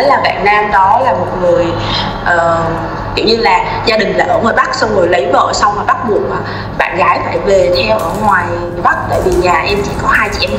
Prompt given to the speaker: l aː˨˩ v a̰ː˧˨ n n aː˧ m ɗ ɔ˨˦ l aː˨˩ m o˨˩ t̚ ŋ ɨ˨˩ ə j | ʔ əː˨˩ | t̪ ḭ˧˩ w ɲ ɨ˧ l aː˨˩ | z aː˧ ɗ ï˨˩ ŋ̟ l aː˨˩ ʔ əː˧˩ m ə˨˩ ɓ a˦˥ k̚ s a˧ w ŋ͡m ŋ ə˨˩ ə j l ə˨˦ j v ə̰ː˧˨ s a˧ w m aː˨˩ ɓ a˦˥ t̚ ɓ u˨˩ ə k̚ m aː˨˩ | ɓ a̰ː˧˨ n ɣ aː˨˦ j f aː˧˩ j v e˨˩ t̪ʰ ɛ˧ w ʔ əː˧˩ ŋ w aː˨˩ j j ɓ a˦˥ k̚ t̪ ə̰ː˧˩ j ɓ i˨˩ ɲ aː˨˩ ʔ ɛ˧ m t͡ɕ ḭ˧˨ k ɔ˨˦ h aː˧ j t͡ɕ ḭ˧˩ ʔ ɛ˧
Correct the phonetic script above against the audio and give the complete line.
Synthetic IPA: l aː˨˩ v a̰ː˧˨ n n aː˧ m ɗ ɔ˨˦ l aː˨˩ m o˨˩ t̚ ŋ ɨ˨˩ ə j | ʔ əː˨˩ | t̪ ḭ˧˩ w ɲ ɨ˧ l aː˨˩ | z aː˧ ɗ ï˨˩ ŋ̟ l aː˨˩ ʔ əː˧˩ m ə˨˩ ɓ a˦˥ k̚ s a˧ w ŋ͡m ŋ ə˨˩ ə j l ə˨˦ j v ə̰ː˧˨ s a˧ w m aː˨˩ ɓ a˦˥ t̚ ɓ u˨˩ ə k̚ m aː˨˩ | ɓ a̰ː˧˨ n ɣ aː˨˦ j f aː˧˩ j v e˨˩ t̪ʰ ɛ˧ w ʔ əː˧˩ ŋ w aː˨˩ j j ɓ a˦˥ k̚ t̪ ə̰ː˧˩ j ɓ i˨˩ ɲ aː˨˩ ʔ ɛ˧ m t͡ɕ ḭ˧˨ k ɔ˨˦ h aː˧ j t͡ɕ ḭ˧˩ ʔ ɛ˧